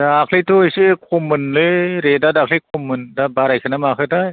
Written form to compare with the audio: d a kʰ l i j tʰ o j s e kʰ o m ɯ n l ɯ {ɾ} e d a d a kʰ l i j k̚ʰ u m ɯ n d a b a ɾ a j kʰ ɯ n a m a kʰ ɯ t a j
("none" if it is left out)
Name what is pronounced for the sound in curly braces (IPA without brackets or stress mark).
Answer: ɾ